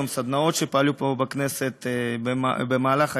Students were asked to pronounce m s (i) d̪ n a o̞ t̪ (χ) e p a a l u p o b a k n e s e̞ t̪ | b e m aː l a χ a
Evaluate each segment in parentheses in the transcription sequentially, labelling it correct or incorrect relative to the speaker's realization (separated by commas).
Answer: incorrect, incorrect